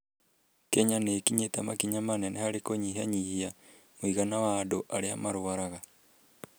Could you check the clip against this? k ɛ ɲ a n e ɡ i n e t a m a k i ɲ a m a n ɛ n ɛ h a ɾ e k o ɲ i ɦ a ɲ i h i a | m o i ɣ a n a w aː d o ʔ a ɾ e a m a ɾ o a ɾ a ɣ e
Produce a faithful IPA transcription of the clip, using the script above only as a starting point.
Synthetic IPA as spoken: k ɛ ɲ a n e k i ɲ e t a m a k i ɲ a m a n ɛ n ɛ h a ɾ e k o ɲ i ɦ a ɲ i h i a | m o i ɣ a n a w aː d o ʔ a ɾ e a m a ɾ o a ɾ a ɣ a

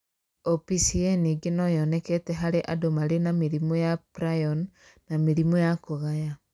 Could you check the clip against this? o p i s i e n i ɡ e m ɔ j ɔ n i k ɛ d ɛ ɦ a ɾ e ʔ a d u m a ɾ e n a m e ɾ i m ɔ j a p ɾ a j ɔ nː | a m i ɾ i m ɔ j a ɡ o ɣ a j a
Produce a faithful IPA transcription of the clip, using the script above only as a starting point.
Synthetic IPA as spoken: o p i s i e n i ɡ e n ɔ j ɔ n ɛ k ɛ t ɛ ɦ a ɾ e ʔ a d o m a ɾ e n a m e ɾ i m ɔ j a p ɾ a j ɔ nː | a m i ɾ i m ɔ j a k o ɣ a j a

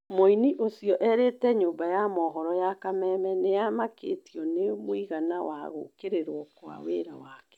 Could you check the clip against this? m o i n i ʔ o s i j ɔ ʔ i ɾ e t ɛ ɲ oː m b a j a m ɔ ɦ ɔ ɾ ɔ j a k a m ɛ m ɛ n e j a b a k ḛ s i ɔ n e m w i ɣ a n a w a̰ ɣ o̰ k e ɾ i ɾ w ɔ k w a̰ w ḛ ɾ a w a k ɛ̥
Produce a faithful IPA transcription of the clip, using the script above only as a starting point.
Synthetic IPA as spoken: m o i n i ʔ o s i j ɔ ʔ ɛ ɾ e t ɛ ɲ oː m b a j a m ɔ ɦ ɔ ɾ ɔ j a k a m ɛ m ɛ n e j a m a k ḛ t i ɔ n e m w i ɣ a n a w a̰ ɣ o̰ k e ɾ e ɾ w ɔ k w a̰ w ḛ ɾ a w a k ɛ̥

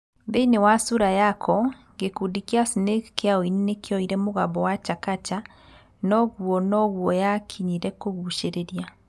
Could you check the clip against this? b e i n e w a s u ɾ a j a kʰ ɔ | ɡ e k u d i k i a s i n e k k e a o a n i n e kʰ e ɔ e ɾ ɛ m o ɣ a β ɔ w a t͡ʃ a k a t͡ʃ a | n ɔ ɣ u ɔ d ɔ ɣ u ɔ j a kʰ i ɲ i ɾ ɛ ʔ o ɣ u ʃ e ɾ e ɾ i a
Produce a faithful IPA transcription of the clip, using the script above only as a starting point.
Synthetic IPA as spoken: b e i n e w a s u ɾ a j a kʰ ɔ | ɡ e k u d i k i a s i n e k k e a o i n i n e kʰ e ɔ i ɾ ɛ m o ɣ a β ɔ w a t͡ʃ a k a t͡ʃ a | n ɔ ɣ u ɔ n ɔ ɣ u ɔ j a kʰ i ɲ i ɾ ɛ k o ɣ u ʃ e ɾ e ɾ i a

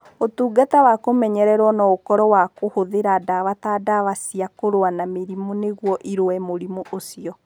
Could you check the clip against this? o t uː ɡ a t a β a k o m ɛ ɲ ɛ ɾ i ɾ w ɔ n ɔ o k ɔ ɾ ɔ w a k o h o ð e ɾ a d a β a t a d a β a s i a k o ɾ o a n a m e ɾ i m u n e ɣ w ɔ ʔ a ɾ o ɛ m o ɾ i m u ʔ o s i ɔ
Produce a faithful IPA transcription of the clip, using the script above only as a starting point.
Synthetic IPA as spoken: o t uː ɡ a t a w a k o m ɛ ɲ ɛ ɾ ɛ ɾ w ɔ n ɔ o k ɔ ɾ ɔ w a k o h o ð e ɾ a d a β a t a d a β a s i a k o ɾ o a n a m e ɾ i m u n e ɣ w ɔ ʔ i ɾ o ɛ m o ɾ i m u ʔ o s i ɔ

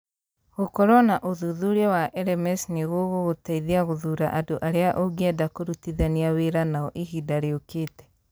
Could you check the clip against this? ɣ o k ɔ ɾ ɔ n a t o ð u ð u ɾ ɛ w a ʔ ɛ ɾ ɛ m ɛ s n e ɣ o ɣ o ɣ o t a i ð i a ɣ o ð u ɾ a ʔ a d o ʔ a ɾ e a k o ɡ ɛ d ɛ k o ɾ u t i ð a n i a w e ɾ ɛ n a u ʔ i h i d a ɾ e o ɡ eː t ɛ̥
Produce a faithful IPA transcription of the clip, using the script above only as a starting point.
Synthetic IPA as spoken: ɣ o k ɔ ɾ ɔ n a ʔ o ð u ð u ɾ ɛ w a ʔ ɛ ɾ ɛ m ɛ s n e ɣ o ɣ o ɣ o t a i ð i a ɣ o ð u ɾ a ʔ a d o ʔ a ɾ e a ʔ o ɡ ɛ d a k o ɾ u t i ð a n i a w e ɾ a n a ɔ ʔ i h i d a ɾ e o k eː t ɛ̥

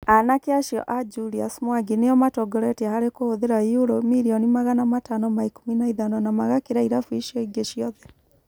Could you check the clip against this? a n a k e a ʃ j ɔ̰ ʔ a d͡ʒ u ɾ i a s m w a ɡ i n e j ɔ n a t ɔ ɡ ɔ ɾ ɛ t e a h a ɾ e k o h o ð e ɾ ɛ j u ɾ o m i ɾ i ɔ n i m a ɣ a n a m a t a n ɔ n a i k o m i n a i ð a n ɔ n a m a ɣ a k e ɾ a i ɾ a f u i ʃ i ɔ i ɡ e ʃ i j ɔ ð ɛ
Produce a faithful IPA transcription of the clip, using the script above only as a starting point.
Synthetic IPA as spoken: a n a k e a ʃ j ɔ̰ ʔ a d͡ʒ u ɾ i a s m w a ɡ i n e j ɔ m a t ɔ ɡ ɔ ɾ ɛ t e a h a ɾ e k o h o ð e ɾ a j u ɾ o m i ɾ i ɔ n i m a ɣ a n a m a t a n ɔ m a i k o m i n a i ð a n ɔ n a m a ɣ a k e ɾ a i ɾ a f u i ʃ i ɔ i ɡ e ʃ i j ɔ ð ɛ

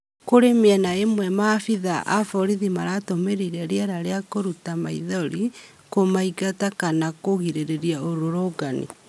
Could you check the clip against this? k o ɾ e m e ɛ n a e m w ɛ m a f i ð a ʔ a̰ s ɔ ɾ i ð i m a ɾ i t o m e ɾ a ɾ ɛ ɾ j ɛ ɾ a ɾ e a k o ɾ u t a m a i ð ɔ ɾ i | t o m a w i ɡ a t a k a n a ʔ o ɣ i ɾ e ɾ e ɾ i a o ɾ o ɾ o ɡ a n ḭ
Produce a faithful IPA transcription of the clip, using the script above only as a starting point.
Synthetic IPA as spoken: k o ɾ e m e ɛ n a e m w ɛ m a f i ð a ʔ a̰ f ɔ ɾ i ð i m a ɾ a t o m e ɾ i ɾ ɛ ɾ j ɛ ɾ a ɾ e a k o ɾ u t a m a i ð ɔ ɾ i | k o m a i ɡ a t a k a n a k o ɣ i ɾ e ɾ e ɾ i a o ɾ o ɾ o ɡ a n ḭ

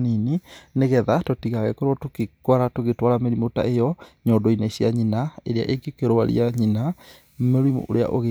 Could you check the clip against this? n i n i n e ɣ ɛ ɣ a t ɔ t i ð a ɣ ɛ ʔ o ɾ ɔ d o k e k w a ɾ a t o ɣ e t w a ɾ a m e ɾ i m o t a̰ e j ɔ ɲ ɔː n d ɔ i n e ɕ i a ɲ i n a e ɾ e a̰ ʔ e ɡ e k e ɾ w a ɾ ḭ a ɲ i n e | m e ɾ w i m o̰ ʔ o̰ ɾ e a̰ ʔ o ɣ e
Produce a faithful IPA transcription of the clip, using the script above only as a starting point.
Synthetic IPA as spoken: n i n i n e ɣ ɛ ð a t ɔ t i ɣ a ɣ ɛ k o ɾ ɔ t o k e k w a ɾ a t o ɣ e t w a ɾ a m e ɾ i m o t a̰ e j ɔ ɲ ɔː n d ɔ i n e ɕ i a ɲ i n a e ɾ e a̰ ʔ e ɡ e k e ɾ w a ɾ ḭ a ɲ i n a | m e ɾ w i m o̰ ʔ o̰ ɾ e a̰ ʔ o ɣ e

